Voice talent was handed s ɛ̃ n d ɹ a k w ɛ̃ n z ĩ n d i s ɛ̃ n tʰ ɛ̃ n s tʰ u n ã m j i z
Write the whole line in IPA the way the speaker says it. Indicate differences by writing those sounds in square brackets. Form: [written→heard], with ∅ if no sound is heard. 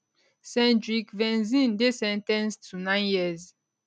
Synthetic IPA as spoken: s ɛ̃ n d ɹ [a→i] k [w→v] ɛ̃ n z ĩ n d [i→e] s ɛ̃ n [tʰ→t] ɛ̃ n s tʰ u n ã [m→n] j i z